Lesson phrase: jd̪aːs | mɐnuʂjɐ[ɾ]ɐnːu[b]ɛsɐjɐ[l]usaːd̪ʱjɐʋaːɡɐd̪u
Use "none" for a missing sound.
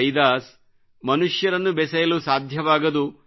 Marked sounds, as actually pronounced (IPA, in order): ɾ, b, l

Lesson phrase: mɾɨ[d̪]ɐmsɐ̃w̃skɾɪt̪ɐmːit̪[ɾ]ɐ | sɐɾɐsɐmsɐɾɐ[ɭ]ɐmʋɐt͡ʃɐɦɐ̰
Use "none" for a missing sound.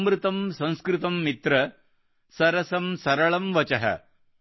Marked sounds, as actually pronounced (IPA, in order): t̪, ɾ, ɭ

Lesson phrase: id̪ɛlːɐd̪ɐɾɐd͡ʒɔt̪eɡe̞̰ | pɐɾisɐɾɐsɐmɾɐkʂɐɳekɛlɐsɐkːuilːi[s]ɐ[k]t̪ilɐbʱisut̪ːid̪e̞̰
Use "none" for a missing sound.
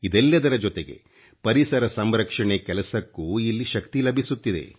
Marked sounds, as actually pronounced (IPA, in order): ʃ, k

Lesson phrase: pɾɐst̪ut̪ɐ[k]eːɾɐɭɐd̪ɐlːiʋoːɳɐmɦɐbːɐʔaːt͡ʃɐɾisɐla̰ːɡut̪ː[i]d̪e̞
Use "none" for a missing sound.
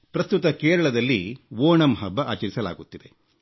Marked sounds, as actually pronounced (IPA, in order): k, i

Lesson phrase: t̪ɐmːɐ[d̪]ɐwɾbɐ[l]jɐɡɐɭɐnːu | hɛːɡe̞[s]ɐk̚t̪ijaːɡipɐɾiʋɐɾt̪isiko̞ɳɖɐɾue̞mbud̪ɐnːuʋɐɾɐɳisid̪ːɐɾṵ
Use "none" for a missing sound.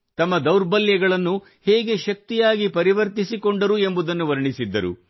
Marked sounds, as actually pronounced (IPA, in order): d̪, l, ʃ

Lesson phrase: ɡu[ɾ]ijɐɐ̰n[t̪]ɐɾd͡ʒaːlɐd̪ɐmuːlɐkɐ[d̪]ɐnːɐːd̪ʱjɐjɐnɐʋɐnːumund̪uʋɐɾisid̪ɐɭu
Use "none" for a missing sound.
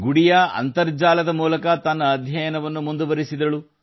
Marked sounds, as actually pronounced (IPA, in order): ɽ, t̪, t̪

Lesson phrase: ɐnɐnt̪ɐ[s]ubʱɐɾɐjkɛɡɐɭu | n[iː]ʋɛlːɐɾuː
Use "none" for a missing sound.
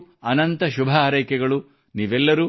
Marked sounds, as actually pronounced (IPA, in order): ʃ, iː

